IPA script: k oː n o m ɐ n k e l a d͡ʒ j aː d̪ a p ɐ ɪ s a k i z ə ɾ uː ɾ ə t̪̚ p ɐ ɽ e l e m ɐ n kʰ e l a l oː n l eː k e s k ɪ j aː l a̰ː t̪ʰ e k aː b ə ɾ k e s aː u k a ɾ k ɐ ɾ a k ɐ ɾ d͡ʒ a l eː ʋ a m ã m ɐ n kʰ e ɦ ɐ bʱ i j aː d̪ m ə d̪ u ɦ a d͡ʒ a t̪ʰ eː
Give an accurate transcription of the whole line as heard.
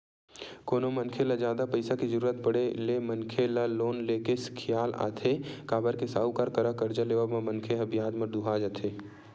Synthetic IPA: k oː n o m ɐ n kʰ e l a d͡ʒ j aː d̪ a p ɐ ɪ s a k i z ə ɾ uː ɾ ə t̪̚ p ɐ ɽ e l e m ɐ n kʰ e l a l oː n l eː k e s kʰ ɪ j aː l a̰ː t̪ʰ e k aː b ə ɾ k e s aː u k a ɾ k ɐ ɾ a k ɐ ɾ d͡ʒ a l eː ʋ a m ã m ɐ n kʰ e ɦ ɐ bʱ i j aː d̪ m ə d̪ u ɦ a d͡ʒ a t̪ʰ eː

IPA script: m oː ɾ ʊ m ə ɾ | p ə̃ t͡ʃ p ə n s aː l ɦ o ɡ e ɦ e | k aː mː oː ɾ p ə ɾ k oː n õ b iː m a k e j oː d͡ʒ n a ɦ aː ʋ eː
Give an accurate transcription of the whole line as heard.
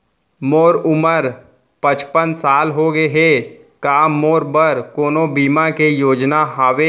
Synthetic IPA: m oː ɾ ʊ m ə ɾ | p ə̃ t͡ʃ p ə n s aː l ɦ o ɡ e ɦ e | k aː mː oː ɾ b ə ɾ k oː n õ b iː m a k e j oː d͡ʒ n a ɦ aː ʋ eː

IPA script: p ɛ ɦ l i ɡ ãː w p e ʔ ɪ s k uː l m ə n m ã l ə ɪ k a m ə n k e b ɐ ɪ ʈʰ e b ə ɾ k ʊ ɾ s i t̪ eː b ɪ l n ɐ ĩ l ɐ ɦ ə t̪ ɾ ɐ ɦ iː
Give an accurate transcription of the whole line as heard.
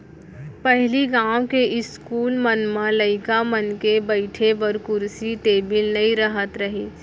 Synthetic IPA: p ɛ ɦ l i ɡ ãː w k e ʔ ɪ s k uː l m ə n m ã l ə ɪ k a m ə n k e b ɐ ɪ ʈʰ e b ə ɾ k ʊ ɾ s i t̪ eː b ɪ l n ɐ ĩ ɾ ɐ ɦ ə t̪ ɾ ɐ ɦ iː

